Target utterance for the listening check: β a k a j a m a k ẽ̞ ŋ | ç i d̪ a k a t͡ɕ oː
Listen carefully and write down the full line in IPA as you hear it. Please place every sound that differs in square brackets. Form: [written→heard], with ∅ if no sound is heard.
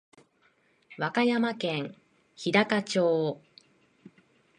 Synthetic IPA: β a k a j a m a k ẽ̞ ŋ | ç i d̪ a k a t͡ɕ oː